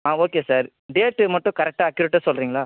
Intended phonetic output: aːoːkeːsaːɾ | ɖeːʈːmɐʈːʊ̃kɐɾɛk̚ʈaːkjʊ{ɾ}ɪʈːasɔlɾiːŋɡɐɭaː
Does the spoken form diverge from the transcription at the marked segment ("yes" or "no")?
no